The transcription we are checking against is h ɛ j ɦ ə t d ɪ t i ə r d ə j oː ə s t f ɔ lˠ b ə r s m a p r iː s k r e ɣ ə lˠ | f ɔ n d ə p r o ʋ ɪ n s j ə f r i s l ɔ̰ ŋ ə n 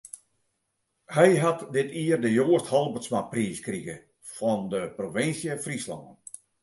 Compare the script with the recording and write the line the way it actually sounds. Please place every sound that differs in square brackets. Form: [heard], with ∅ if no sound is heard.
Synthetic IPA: h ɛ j ɦ [a] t d ɪ t i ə r d ə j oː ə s t [h] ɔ lˠ b ə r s m a p r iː s k r [i] ɣ ə [∅] | f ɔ n d ə p r o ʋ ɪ n s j ə f r i s l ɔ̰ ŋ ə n